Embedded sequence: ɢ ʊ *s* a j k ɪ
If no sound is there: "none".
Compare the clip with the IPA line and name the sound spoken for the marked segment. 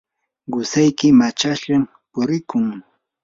s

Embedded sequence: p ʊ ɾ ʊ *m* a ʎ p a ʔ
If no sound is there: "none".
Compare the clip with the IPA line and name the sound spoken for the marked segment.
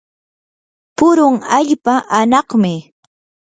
ŋ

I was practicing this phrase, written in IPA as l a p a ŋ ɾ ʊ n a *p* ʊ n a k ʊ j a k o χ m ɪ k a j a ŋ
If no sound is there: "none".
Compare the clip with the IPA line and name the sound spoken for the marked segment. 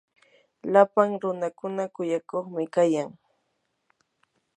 k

